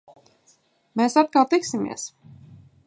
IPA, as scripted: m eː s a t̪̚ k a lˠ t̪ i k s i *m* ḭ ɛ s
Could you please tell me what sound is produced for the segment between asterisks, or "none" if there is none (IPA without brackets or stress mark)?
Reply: m